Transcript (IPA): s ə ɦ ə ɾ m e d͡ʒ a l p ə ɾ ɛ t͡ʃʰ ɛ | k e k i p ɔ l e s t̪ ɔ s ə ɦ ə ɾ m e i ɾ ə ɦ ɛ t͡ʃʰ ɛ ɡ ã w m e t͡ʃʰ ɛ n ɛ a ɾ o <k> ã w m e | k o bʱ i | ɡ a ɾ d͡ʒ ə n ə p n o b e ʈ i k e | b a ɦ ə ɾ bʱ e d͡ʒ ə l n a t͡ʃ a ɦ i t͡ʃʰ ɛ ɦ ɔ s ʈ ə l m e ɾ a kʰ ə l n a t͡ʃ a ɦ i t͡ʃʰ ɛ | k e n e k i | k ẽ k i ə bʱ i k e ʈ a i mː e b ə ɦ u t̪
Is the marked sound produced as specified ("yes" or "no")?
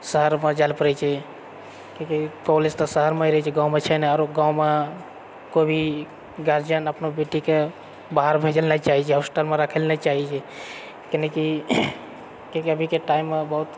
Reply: no